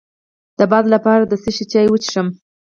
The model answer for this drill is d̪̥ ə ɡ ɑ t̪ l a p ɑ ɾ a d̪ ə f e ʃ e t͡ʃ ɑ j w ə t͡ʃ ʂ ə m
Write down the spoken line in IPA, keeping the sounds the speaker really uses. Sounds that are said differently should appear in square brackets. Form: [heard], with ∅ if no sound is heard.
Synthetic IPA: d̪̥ ə [b] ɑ [d̪] l a p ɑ ɾ a d̪ ə [s] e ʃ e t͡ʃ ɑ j w ə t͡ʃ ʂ ə m